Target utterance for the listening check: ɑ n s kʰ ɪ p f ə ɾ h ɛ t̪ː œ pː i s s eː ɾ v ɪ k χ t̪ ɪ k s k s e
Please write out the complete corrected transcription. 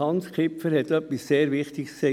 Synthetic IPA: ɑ n s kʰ ɪ p f ə ɾ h ɛ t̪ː œ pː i s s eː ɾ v ɪ χ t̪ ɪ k s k s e